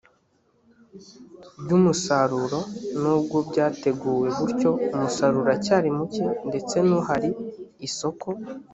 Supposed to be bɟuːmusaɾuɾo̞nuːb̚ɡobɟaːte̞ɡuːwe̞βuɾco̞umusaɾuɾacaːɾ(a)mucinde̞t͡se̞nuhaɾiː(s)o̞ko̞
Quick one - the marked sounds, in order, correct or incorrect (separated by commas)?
incorrect, correct